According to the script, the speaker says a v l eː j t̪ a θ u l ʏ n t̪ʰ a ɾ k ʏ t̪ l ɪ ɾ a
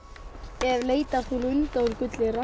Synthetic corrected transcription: ɛ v l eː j t̪ a θ u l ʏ n t̪ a ɾ k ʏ t̪ l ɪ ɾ a